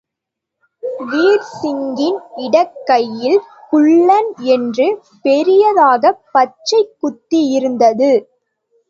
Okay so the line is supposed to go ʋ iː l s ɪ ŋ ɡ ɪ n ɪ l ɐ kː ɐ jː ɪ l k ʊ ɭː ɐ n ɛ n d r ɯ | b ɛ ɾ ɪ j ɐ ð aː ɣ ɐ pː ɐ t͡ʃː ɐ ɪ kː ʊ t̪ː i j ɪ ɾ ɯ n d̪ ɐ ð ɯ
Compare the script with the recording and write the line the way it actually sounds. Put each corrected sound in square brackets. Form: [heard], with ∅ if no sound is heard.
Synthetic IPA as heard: ʋ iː [ɾ] s ɪ ŋ ɡ ɪ n ɪ [ɽ] ɐ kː ɐ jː ɪ l k ʊ ɭː ɐ n ɛ n d r ɯ | [p] ɛ ɾ ɪ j ɐ ð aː ɣ ɐ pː ɐ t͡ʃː ɐ ɪ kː ʊ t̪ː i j ɪ ɾ ɯ n d̪ ɐ ð ɯ